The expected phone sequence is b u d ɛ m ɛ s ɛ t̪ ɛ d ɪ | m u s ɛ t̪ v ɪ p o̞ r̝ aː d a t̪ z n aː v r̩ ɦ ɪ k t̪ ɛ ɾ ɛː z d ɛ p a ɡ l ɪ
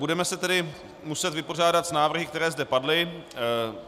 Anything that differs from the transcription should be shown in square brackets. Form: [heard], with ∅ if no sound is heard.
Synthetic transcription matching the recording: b u d ɛ m ɛ s ɛ t̪ ɛ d ɪ | m u s ɛ t̪ v ɪ p o̞ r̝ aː d a t̪ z n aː v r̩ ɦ ɪ k t̪ ɛ ɾ ɛː z d ɛ p a [d] l ɪ